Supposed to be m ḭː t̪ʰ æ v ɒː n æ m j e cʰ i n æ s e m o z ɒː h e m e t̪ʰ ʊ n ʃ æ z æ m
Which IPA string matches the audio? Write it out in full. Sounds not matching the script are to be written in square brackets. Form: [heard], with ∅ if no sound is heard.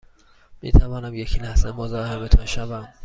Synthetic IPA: m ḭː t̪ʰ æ v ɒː n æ m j e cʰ i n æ s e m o z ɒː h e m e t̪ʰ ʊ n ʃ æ [v] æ m